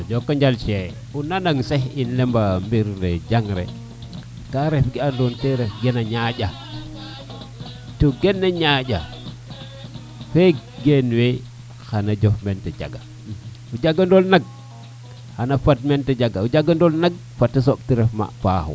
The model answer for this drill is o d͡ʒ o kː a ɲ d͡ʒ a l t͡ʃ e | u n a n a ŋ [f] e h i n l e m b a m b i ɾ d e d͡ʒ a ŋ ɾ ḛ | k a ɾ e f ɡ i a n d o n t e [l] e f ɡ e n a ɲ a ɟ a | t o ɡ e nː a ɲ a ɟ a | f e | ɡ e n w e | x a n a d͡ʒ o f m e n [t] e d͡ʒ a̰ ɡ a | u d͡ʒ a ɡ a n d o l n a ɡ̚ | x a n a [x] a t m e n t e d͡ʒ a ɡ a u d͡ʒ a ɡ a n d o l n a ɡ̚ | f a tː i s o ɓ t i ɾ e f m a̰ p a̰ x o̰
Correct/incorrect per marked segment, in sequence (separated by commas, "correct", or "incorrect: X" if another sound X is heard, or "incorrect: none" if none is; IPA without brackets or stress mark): incorrect: s, incorrect: ɾ, correct, incorrect: f